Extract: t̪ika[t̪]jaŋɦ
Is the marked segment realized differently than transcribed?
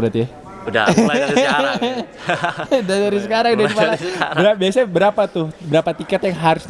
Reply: no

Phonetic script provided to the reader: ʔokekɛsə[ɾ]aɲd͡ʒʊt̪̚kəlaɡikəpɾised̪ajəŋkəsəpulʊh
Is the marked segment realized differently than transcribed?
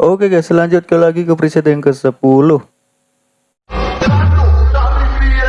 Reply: yes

